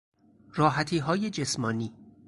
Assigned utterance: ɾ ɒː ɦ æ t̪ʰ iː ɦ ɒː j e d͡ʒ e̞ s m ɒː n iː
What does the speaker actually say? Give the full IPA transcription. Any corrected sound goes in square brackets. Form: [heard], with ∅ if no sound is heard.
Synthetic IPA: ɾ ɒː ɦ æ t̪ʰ iː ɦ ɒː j e d͡ʒ e̞ s m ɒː n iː